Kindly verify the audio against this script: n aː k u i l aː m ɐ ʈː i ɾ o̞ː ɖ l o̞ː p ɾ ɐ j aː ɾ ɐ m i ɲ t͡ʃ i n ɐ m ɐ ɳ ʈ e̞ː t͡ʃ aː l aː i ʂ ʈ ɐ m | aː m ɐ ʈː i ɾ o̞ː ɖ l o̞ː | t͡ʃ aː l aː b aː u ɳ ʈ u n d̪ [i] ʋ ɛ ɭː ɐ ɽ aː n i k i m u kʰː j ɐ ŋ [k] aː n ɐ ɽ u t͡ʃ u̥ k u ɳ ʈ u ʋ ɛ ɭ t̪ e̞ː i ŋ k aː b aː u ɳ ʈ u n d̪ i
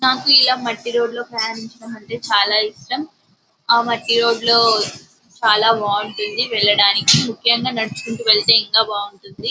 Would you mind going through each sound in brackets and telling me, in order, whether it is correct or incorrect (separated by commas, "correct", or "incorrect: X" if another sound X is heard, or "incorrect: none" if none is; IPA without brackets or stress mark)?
correct, incorrect: ɡ